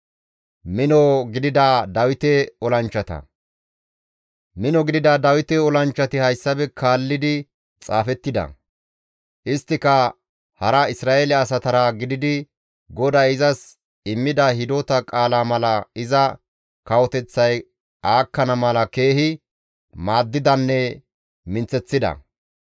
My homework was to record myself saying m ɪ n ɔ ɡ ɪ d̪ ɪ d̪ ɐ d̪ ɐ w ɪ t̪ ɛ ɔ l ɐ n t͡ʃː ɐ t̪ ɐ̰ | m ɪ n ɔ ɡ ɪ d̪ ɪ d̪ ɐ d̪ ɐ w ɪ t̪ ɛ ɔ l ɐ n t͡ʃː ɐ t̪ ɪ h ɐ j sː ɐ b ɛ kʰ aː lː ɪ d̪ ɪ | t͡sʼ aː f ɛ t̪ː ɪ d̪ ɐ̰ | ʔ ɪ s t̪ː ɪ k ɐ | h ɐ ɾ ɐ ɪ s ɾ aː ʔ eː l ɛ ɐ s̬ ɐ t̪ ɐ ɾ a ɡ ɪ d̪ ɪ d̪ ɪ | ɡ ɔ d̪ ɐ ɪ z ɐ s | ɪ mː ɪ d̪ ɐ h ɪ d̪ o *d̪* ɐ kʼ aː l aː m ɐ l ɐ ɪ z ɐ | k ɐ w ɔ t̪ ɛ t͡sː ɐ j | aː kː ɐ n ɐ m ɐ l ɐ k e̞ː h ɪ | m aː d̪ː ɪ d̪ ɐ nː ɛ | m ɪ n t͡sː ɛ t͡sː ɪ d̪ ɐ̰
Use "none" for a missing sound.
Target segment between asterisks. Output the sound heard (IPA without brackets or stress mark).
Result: t̪